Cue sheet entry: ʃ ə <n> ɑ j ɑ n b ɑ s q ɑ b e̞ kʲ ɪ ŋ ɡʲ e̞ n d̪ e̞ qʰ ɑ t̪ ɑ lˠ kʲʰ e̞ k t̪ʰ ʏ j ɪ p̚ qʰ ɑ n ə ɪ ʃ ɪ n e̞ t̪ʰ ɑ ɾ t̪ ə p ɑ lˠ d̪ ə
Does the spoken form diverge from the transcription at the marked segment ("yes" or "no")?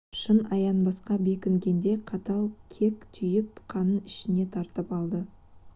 no